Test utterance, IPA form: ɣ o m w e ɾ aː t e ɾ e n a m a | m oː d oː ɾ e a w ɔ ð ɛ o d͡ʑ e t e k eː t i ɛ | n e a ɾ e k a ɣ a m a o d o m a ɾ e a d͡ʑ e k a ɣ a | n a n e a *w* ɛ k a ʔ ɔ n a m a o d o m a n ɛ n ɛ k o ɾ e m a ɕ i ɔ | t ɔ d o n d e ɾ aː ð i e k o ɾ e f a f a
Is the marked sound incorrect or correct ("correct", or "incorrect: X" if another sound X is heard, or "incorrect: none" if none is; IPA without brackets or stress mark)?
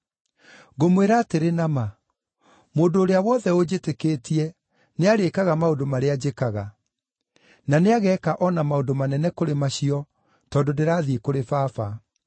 incorrect: ɣ